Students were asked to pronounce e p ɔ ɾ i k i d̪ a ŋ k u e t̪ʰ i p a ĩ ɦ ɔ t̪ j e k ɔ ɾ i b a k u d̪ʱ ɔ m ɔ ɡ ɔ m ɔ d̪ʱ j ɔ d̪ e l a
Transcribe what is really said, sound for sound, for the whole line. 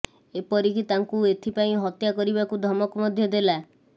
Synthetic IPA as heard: e p ɔ ɾ i k i t̪ a ŋ k u e t̪ʰ i p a ĩ ɦ ɔ t̪ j a k ɔ ɾ i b a k u d̪ʱ ɔ m ɔ k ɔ m ɔ d̪ʱ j ɔ d̪ e l a